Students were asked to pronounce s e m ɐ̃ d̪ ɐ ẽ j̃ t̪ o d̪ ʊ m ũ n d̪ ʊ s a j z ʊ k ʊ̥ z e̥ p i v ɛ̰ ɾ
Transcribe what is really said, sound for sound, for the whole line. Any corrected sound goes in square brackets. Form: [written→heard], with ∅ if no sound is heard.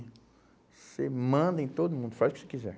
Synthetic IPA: s e m ɐ̃ d̪ ɐ ẽ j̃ t̪ o d̪ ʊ m ũ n d̪ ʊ [s→f] a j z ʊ k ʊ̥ [z→s] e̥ [p→k] i [v→z] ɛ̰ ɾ